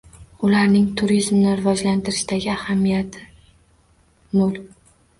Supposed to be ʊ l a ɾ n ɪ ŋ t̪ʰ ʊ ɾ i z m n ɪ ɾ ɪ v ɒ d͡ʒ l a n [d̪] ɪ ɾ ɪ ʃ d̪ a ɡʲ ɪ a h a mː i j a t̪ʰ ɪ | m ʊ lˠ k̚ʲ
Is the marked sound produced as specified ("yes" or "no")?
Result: no